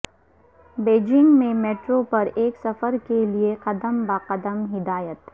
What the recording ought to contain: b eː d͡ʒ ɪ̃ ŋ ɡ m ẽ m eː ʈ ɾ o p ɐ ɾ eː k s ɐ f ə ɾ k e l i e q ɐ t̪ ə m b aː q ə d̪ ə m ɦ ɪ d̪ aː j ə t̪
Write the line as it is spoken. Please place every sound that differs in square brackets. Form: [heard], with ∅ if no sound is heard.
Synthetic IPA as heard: b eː d͡ʒ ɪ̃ ŋ ɡ m ẽ m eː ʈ ɾ o p ɐ ɾ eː k s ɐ f ə ɾ k e l i e q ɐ [d̪] ə m b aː q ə d̪ ə m ɦ ɪ d̪ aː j ə t̪